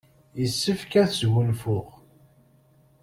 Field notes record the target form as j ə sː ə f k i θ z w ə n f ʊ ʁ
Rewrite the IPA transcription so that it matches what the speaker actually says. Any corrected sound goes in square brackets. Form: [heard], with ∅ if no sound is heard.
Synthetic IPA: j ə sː ə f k [æ] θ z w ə n f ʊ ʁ